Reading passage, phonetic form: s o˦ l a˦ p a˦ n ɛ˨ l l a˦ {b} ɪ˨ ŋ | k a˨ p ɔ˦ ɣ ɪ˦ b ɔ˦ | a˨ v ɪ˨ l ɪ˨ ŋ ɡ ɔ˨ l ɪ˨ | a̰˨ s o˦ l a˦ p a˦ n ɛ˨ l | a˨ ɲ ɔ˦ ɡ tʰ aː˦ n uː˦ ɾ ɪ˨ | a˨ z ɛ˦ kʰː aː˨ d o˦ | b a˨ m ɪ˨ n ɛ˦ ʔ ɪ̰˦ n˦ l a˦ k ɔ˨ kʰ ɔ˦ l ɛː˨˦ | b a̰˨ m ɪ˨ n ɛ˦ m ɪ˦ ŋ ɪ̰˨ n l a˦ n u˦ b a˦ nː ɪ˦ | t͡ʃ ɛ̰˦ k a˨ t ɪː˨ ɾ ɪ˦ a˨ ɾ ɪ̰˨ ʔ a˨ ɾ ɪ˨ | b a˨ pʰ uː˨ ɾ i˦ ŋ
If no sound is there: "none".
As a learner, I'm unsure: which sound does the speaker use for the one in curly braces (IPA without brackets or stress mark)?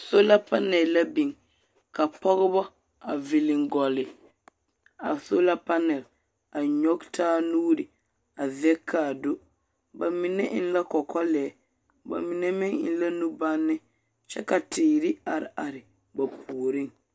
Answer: b